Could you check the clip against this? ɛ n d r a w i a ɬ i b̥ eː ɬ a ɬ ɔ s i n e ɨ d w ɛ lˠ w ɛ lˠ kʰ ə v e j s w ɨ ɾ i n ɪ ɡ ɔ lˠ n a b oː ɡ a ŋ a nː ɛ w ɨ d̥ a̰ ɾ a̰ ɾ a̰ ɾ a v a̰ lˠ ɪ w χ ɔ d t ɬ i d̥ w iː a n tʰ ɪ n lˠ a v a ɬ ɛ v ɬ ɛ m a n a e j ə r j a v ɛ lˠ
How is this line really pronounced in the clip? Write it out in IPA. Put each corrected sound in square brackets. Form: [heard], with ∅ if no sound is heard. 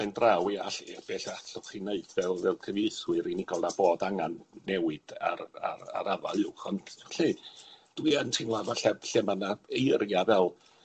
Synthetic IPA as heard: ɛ n d r a w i a ɬ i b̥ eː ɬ a ɬ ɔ [χ] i n e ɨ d [v] ɛ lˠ [v] ɛ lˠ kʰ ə v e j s w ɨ ɾ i n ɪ ɡ ɔ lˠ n a b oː [d] a ŋ a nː ɛ w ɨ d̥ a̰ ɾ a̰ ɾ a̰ ɾ a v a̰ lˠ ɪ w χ ɔ [n] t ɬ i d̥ w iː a n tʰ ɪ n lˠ a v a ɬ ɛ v ɬ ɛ m a n a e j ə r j a v ɛ lˠ

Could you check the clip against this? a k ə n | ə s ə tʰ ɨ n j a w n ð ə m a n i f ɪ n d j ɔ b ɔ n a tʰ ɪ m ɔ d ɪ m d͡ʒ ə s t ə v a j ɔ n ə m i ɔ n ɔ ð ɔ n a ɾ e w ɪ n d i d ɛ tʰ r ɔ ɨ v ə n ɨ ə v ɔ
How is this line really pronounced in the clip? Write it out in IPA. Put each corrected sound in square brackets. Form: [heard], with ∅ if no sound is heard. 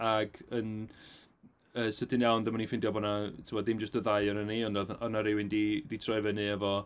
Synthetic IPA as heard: a [ɡ] ə n | ə s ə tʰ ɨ n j a w n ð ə m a n i f ɪ n d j ɔ b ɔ n a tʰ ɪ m ɔ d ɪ m d͡ʒ ə s t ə [ð] a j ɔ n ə [n] i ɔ n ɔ ð ɔ n a ɾ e w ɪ n d i d [i] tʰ r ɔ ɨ v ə n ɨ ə v ɔ

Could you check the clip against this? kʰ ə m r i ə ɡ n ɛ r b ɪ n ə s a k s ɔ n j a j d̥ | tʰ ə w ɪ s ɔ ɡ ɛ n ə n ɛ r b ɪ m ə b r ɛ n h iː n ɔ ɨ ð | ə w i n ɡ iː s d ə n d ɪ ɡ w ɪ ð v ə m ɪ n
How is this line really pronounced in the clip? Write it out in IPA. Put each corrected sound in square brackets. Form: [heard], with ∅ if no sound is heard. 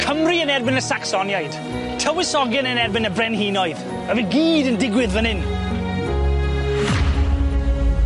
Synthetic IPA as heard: kʰ ə m r i ə [∅] n ɛ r b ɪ n ə s a k s ɔ n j a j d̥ | tʰ ə w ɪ s ɔ ɡ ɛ n ə n ɛ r b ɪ [n] ə b r ɛ n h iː n ɔ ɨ ð | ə [v] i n ɡ iː [∅] d ə n d ɪ ɡ w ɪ ð v ə [n] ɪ n

